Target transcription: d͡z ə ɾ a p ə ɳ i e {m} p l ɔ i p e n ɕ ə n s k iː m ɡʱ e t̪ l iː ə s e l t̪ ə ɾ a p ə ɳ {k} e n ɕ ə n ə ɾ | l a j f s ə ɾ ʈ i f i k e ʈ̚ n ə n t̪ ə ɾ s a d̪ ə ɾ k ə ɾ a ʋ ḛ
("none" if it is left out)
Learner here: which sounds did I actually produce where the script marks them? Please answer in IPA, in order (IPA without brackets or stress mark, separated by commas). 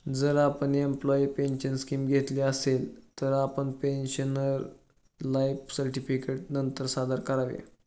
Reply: m, p